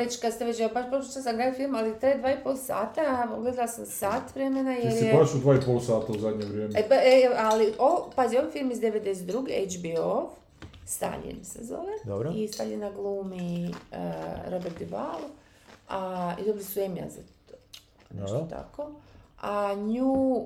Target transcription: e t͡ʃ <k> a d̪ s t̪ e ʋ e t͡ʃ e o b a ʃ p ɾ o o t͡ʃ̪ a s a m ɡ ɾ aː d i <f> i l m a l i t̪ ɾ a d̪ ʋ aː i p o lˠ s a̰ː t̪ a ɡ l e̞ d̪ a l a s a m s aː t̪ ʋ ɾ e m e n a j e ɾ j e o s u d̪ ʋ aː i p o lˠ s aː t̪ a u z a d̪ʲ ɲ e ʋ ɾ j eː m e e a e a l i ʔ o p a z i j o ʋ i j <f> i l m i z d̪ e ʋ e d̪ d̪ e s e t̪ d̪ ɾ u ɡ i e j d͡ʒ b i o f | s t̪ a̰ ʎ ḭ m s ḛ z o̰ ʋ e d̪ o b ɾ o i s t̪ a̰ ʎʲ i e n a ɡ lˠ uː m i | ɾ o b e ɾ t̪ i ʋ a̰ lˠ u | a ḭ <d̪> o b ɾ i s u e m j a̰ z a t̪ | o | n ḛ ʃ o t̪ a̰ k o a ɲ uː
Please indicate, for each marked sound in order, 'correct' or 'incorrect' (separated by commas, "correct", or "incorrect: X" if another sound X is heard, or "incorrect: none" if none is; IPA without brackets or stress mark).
correct, correct, correct, correct